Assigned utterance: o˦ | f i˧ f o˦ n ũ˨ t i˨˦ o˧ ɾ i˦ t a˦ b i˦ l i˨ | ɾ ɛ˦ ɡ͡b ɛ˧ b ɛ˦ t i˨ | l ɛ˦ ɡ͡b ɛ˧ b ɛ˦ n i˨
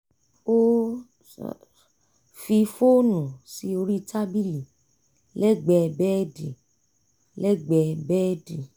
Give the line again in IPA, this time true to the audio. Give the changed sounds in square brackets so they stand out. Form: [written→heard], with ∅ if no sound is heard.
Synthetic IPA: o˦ | f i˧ f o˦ n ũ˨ [t→s] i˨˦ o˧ ɾ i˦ t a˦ b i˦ l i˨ | [ɾ→l] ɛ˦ ɡ͡b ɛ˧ b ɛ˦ [t→d] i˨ | l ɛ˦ ɡ͡b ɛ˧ b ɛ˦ [n→d] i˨